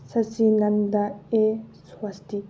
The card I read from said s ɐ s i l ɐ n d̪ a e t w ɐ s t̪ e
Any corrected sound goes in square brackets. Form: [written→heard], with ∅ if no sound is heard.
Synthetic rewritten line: s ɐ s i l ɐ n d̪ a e [t→s] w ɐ s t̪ [e→i]